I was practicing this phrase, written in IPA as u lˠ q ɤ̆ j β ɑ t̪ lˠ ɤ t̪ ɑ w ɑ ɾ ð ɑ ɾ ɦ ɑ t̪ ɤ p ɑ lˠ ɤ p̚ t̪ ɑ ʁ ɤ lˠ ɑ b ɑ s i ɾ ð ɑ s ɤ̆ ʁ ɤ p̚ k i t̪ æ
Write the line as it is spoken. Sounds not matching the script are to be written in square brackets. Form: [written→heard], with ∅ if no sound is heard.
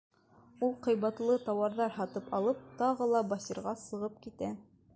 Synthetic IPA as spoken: u lˠ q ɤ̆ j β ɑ t̪ lˠ ɤ t̪ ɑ w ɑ ɾ ð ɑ ɾ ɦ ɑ t̪ ɤ p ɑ lˠ ɤ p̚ t̪ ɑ ʁ ɤ lˠ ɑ b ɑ s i ɾ [ð→ʁ] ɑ s ɤ̆ ʁ ɤ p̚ k i t̪ æ